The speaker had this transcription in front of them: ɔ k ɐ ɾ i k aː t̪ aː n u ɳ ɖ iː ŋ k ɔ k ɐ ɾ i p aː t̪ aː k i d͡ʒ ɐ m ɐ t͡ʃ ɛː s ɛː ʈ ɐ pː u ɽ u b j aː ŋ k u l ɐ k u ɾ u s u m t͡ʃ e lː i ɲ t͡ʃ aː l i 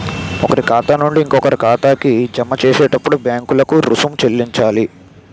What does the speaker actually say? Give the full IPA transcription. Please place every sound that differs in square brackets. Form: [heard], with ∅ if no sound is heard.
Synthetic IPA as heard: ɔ k ɐ ɾ i k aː t̪ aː n u ɳ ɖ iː ŋ k ɔ k ɐ ɾ i [k] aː t̪ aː k i d͡ʒ ɐ m ɐ t͡ʃ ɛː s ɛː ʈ ɐ pː u ɽ u b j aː ŋ k u l ɐ k u ɾ u s u m t͡ʃ e lː i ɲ t͡ʃ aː l i